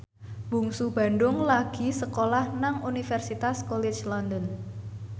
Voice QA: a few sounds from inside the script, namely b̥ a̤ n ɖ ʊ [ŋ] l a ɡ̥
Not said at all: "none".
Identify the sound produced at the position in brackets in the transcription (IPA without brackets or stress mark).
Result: ŋ